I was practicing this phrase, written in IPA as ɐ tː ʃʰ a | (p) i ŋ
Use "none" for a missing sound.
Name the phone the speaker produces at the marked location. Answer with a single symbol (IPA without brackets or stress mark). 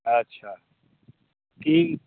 k